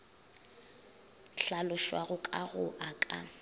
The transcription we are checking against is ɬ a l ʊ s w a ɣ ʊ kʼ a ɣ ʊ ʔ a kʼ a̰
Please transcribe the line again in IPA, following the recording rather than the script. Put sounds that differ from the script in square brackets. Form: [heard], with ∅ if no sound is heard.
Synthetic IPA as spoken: ɬ a l ʊ [ʃ] w a ɣ ʊ kʼ a ɣ ʊ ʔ a kʼ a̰